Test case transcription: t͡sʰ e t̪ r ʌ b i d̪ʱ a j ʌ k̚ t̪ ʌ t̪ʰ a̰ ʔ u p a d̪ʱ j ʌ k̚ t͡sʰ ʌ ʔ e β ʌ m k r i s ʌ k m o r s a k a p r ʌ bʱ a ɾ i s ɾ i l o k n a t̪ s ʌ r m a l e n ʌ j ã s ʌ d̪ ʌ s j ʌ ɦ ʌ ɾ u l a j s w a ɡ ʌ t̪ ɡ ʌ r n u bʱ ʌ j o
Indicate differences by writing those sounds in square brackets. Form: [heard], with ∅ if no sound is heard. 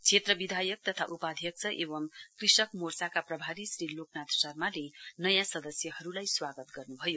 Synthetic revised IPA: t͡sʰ e t̪ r ʌ b i d̪ʱ a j ʌ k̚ t̪ ʌ t̪ʰ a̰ ʔ u p a d̪ʱ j ʌ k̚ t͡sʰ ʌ ʔ e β ʌ m k r i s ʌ k m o r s a k a p r ʌ bʱ a ɾ i s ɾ i l o k n a t̪ s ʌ r m a l e n ʌ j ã s ʌ d̪ ʌ s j ʌ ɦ ʌ ɾ u l a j s w a ɡ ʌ t̪ ɡ ʌ r n u bʱ ʌ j o